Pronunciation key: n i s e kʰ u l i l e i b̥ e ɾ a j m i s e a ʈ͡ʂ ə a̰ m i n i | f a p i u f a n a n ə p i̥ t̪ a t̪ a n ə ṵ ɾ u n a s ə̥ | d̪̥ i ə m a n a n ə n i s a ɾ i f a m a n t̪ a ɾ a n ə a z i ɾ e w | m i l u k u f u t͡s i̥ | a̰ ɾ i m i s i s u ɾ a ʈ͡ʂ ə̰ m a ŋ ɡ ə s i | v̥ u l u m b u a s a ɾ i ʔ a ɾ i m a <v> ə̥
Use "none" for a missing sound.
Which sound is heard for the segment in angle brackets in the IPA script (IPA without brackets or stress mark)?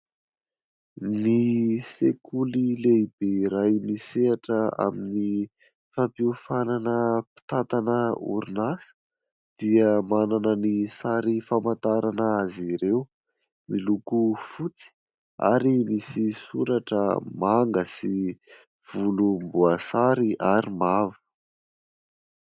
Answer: v